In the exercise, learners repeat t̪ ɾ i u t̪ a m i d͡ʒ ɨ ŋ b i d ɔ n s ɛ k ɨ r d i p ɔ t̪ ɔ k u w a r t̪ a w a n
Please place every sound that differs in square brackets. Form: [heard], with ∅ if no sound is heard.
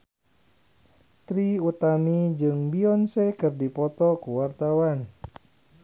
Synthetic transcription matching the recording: t̪ ɾ i u t̪ a m i d͡ʒ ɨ ŋ b i [∅] ɔ n s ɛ k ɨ r d i p ɔ t̪ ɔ k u w a r t̪ a w a n